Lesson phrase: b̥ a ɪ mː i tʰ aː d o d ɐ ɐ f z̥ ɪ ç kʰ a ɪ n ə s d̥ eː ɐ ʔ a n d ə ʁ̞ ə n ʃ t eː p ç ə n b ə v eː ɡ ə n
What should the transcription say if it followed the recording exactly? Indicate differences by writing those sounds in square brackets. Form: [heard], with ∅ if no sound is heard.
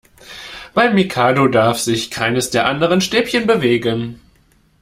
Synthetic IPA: b̥ a ɪ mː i [kʰ] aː d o d [a] ɐ f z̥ ɪ ç kʰ a ɪ n ə s d̥ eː ɐ ʔ a n d ə ʁ̞ ə n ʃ t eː p ç ə n b ə v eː ɡ ə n